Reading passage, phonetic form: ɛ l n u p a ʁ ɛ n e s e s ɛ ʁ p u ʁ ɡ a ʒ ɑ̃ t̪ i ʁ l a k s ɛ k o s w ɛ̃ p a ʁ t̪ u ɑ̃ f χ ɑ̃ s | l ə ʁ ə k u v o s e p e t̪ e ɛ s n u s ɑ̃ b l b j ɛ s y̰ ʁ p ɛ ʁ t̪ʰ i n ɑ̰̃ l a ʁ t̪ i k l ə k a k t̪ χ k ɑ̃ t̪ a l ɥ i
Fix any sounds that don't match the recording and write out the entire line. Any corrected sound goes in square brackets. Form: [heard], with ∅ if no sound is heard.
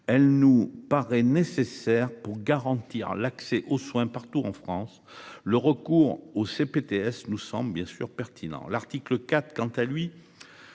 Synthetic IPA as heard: ɛ l n u p a ʁ ɛ n e s e s ɛ ʁ p u ʁ ɡ a [ʁ] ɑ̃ t̪ i ʁ l a k s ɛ [ʔ] o s w ɛ̃ p a ʁ t̪ u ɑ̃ f χ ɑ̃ s | l ə ʁ ə k u [ʁ] o s e p e t̪ e ɛ s n u s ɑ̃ b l b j [ɛ̃] s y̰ ʁ p ɛ ʁ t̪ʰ i n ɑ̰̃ l a ʁ t̪ i k l ə k a [∅] t̪ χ k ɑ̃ t̪ a l ɥ i

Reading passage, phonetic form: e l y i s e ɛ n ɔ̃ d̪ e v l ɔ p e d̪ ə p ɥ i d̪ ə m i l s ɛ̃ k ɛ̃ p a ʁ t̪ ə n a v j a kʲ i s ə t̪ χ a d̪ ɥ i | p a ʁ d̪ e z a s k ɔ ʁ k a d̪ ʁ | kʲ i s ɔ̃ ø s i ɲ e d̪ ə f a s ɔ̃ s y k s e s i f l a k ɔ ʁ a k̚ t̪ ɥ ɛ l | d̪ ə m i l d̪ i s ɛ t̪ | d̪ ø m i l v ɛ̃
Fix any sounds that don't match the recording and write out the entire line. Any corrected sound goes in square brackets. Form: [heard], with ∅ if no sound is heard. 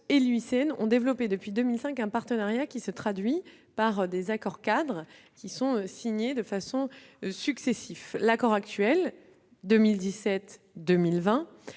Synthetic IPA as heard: e l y i s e ɛ n ɔ̃ d̪ e v l ɔ p e d̪ ə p ɥ i d̪ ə m i l s ɛ̃ k ɛ̃ p a ʁ t̪ ə n a [ʁ] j a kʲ i s ə t̪ χ a d̪ ɥ i | p a ʁ d̪ e z a [∅] k ɔ ʁ k a d̪ ʁ | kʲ i s ɔ̃ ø s i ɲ e d̪ ə f a s ɔ̃ s y k s e s i f l a k ɔ ʁ a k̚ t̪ ɥ ɛ l | d̪ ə m i l d̪ i s ɛ t̪ | d̪ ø m i l v ɛ̃

